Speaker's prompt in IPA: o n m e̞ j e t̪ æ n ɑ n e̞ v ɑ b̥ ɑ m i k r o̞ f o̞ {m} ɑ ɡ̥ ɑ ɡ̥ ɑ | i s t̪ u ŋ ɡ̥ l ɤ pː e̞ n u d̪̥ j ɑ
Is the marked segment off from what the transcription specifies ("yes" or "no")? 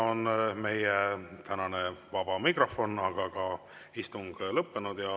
yes